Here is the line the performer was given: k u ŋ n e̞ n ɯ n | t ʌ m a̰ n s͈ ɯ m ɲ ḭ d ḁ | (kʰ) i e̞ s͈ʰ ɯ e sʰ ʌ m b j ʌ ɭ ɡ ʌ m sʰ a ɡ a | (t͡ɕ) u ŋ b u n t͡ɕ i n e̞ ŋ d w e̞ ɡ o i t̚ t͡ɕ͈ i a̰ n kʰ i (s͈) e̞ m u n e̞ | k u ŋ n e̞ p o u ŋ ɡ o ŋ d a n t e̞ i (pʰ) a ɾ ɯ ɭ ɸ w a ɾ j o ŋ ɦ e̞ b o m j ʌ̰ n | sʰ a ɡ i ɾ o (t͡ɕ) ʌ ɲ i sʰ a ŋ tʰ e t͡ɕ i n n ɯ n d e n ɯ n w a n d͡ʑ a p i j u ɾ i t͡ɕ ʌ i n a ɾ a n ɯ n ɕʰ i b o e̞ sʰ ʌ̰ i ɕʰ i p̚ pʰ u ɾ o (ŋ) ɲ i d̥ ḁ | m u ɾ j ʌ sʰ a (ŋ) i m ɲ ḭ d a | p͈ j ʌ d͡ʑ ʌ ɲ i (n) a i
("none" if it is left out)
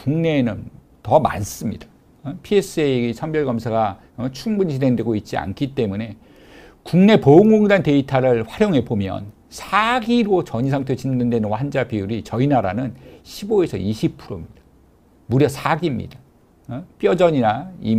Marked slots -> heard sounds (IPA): pʰ, t͡ɕʰ, t͈, tʰ, t͡ɕ, m, ɡ, n

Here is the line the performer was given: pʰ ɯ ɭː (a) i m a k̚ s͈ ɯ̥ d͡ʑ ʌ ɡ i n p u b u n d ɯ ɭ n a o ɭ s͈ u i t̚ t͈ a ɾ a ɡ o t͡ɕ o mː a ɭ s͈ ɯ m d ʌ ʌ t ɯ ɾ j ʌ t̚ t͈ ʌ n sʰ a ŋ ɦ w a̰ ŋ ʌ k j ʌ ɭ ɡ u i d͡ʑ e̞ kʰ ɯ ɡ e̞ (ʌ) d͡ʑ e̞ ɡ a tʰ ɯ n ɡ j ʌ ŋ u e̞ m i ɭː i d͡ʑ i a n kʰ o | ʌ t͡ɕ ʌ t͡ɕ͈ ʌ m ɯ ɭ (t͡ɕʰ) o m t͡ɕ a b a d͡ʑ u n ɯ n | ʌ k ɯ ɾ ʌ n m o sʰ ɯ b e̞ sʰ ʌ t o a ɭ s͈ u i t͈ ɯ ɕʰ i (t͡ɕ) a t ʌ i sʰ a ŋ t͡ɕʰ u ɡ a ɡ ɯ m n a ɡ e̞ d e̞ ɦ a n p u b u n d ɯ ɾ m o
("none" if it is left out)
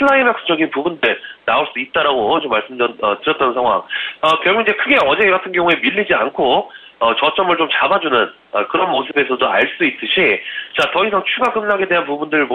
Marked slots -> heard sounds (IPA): a, ʌ, t͡ɕ, t͡ɕ

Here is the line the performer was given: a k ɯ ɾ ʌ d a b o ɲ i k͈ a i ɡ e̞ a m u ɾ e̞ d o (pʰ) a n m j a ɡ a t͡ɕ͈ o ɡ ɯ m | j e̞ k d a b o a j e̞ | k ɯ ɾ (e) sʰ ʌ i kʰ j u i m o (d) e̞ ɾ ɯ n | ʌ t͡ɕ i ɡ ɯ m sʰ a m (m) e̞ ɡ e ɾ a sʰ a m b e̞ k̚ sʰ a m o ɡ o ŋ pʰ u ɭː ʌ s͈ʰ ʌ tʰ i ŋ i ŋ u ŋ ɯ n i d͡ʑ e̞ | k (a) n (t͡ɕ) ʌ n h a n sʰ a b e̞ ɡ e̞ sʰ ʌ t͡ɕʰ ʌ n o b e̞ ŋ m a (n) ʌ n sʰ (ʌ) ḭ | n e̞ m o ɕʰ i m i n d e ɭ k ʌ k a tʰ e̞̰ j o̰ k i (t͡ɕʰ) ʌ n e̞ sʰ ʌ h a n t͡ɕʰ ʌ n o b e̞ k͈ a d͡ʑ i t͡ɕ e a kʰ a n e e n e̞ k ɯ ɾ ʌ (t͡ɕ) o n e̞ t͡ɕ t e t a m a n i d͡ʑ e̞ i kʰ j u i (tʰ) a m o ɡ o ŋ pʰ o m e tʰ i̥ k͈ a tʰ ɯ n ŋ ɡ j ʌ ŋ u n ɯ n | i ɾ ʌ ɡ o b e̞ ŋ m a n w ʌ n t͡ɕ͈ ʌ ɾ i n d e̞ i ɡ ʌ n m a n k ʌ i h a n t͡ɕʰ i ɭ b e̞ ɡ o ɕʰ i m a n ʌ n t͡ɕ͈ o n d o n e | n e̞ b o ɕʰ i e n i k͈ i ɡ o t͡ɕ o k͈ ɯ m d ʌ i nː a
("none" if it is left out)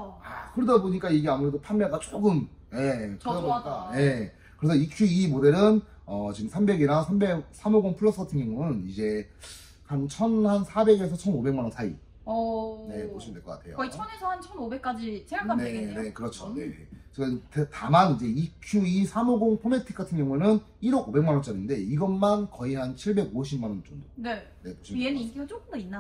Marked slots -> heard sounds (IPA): pʰ, e, d, b, a, t͡ɕʰ, n, a, t͡ɕʰ, t͡ɕʰ, sʰ

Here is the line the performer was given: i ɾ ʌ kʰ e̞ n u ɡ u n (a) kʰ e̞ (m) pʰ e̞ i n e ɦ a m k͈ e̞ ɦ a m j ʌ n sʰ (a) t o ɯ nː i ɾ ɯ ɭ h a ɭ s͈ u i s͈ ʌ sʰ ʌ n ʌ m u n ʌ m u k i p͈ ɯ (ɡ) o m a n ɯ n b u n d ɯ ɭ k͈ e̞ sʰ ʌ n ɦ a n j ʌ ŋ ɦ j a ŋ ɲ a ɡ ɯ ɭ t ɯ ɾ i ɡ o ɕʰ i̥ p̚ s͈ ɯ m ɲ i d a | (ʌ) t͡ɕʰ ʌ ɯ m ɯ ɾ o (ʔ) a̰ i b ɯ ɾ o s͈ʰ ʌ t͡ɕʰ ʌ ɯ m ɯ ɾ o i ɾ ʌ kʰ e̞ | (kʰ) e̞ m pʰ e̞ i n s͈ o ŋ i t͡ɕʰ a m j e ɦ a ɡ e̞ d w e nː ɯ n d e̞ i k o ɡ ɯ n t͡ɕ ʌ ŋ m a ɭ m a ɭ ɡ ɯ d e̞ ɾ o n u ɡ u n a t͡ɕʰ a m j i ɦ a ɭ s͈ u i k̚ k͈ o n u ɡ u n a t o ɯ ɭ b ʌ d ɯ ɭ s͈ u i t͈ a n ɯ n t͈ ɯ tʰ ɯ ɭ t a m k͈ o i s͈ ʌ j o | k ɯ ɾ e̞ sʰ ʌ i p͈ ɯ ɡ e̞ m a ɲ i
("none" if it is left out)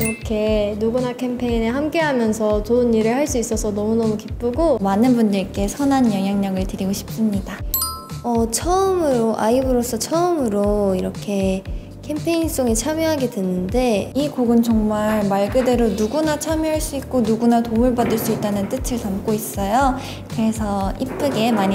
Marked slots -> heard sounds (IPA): a, m, ʌ, ɡ, ʌ, ʔ, kʰ

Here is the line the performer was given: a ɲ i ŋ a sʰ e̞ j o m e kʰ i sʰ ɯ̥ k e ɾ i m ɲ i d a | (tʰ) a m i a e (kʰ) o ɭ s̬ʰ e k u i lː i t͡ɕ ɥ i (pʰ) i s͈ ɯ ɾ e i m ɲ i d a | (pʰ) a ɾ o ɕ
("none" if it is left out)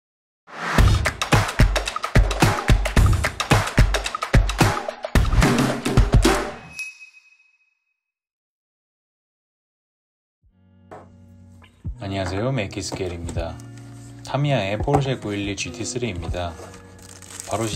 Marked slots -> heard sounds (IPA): tʰ, pʰ, tʰ, p

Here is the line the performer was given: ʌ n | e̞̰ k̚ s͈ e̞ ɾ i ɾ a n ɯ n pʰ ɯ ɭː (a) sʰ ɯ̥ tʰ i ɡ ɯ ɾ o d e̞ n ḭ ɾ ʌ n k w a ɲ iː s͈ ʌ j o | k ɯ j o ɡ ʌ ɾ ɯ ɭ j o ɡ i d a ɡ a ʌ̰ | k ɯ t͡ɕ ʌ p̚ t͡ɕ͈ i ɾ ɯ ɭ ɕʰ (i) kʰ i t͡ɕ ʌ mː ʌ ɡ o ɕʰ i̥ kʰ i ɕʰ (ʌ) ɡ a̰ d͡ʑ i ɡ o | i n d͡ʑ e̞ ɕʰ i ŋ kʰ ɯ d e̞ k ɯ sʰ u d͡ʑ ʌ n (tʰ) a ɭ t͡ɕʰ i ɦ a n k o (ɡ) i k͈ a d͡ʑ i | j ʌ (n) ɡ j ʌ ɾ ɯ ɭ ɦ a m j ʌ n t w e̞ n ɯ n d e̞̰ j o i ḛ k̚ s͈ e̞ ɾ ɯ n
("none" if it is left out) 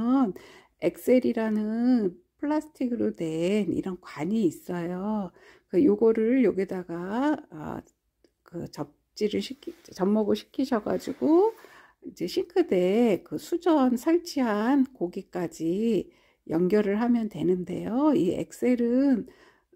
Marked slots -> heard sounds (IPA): a, i, ʌ, sʰ, ɡ, ŋ

